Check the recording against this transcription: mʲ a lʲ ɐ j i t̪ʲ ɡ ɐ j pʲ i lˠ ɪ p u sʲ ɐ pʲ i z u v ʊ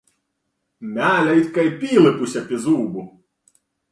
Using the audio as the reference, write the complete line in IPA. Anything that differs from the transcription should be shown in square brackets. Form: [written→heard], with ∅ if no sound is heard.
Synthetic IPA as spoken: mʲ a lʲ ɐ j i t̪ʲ [ɡ→k] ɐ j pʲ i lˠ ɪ p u sʲ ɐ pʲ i z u [v→b] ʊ

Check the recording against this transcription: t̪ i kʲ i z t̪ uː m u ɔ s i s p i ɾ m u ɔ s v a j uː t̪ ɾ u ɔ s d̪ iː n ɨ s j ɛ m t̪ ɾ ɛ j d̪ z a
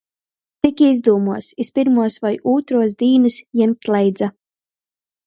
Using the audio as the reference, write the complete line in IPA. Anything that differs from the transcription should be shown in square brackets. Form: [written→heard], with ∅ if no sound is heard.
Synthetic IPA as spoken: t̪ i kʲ i z [t̪→d̪] uː m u ɔ s i s p i ɾ m u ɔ s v a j uː t̪ ɾ u ɔ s d̪ iː n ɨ s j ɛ m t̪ [ɾ→l] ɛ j d̪ z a

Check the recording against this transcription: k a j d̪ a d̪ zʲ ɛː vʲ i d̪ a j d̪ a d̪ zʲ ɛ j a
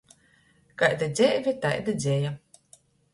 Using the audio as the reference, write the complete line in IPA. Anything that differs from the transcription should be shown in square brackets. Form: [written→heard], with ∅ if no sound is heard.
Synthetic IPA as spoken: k a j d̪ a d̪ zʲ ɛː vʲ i [d̪→t̪] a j d̪ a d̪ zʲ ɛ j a

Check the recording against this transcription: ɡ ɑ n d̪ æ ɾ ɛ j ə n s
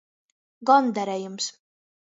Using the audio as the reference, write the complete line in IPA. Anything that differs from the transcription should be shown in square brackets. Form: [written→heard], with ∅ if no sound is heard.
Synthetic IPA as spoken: ɡ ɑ n d̪ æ ɾ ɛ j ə [n→m] s

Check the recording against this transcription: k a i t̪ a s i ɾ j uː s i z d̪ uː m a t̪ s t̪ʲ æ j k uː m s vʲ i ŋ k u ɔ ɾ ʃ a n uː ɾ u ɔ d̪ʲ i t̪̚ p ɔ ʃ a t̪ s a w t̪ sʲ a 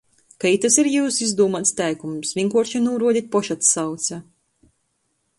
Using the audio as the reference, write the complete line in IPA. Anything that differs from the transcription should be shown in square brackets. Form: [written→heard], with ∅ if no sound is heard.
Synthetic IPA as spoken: k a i t̪ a s i ɾ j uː s i z d̪ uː m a t̪ s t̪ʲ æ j k [uː→u] m s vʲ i ŋ k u ɔ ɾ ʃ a n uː ɾ u ɔ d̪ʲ i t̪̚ p ɔ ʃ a t̪ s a w t̪ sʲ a

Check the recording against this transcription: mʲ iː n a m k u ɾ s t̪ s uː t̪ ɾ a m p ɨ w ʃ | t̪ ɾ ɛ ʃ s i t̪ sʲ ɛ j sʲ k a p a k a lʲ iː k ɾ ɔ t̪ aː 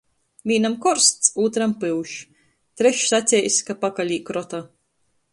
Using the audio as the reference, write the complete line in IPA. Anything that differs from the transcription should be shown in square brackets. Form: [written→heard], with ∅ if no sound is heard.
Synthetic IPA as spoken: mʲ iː n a m k [u→ɔ] ɾ s t̪ s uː t̪ ɾ a m p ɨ w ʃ | t̪ ɾ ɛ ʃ s [i→a] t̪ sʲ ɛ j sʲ k a p a k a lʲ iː k ɾ ɔ t̪ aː

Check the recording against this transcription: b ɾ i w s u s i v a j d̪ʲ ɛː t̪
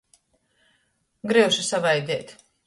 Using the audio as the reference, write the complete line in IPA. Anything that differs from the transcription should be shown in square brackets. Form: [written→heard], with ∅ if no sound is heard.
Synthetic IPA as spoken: [b→ɡ] ɾ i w [s→ʃ] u s [i→a] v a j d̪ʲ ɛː t̪

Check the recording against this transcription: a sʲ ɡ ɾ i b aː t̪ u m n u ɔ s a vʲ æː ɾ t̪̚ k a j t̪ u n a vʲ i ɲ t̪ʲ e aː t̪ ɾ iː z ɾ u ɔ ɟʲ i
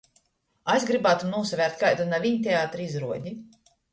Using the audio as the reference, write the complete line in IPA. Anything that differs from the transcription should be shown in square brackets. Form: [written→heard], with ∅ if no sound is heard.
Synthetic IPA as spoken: a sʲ ɡ ɾ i b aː t̪ u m n u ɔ s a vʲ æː ɾ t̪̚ k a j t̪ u n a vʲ i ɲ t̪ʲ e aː t̪ ɾ [iː→i] z ɾ u ɔ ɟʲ i

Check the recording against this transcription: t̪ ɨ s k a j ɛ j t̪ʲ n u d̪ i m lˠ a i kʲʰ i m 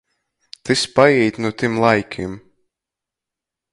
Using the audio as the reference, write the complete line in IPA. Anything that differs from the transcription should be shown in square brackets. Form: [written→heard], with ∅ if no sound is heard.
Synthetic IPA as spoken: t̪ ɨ s [k→p] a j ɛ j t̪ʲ n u [d̪→t̪] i m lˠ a [i→j] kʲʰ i m

